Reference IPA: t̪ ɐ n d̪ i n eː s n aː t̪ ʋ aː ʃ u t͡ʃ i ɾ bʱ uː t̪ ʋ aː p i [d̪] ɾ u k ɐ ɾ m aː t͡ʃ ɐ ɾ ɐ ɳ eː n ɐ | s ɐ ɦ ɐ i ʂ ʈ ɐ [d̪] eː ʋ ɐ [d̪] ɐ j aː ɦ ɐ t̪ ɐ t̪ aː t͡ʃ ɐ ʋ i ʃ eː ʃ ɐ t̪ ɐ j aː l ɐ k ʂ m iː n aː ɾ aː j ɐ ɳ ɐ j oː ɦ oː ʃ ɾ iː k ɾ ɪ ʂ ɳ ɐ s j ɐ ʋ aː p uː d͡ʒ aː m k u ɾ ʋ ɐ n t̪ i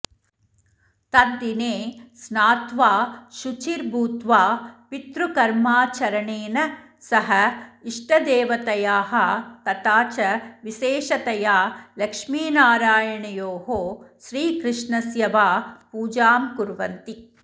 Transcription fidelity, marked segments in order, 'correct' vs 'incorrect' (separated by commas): incorrect, correct, incorrect